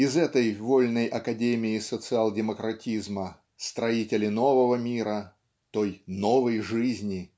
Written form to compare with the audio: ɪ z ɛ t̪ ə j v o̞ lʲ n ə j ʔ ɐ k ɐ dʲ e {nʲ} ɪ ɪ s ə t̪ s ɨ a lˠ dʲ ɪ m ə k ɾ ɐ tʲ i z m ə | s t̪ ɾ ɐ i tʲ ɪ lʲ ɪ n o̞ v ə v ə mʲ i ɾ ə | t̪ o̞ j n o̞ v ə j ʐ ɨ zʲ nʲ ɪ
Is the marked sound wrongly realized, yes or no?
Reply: yes